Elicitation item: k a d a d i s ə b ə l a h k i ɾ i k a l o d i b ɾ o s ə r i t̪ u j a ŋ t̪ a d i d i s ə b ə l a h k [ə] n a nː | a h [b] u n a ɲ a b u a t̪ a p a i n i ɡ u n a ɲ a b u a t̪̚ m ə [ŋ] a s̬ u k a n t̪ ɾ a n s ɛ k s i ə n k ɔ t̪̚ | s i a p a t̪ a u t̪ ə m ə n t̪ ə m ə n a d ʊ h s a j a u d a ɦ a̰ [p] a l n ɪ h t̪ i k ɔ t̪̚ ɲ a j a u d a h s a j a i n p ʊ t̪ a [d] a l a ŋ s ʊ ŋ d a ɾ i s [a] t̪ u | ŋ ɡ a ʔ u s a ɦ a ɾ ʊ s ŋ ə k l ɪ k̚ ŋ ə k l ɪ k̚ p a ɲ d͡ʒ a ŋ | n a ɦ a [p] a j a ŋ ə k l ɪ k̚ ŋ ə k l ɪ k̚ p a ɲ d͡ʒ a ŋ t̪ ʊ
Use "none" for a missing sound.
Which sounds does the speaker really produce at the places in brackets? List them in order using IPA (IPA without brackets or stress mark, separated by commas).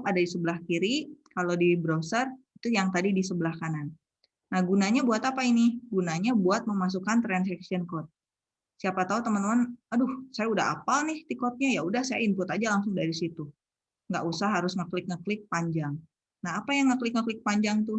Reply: a, ɡ, m, p, d͡ʒ, i, p